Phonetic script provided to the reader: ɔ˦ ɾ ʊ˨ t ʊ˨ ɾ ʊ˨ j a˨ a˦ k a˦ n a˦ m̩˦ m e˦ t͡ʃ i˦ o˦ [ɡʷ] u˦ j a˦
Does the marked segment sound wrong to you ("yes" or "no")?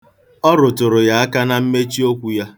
yes